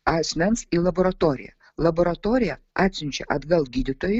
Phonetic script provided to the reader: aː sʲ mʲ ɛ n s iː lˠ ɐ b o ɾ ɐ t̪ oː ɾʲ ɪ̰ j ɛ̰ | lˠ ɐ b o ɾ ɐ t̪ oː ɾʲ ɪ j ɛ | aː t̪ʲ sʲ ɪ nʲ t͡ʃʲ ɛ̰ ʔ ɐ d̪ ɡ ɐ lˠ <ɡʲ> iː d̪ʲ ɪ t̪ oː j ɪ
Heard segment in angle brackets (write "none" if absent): ɡʲ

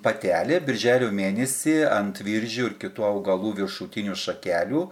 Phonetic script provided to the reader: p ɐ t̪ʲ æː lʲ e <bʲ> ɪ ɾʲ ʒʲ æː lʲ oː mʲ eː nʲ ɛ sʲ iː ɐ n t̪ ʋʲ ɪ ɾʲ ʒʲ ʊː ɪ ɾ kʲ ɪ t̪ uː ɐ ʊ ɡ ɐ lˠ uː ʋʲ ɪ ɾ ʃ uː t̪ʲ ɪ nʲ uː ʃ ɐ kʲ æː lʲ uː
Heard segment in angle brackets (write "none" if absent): bʲ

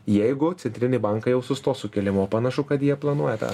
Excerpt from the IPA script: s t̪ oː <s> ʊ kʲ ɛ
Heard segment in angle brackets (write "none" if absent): s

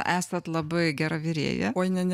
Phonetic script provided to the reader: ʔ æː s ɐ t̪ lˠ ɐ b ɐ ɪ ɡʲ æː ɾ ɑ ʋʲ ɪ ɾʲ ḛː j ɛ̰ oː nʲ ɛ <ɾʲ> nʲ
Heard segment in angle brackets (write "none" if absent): none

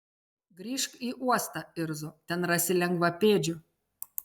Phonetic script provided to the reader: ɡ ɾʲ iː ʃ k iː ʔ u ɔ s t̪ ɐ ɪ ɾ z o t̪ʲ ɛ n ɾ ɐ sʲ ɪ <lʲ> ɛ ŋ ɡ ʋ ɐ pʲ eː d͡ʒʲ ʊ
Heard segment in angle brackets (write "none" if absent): lʲ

